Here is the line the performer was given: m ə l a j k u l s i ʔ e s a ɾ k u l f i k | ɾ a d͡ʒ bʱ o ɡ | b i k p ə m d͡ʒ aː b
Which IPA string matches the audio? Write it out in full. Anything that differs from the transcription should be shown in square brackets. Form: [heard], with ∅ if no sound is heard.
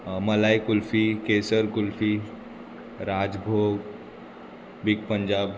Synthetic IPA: m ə l a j k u l [f] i [k] e s [ə] ɾ k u l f i [∅] | ɾ a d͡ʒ bʱ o ɡ | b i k p ə [ɲ] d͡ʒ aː b